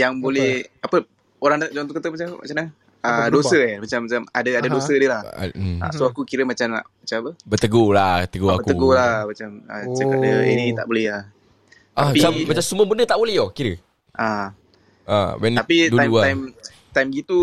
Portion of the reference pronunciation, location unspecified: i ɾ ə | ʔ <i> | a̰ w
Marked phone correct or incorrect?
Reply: incorrect